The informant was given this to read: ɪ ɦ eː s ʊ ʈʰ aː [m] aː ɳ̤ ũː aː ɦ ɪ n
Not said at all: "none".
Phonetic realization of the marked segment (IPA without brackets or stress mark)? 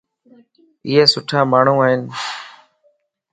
m